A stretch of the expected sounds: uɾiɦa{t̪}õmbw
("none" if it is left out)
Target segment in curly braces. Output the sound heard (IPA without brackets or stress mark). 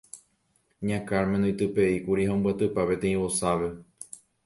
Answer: none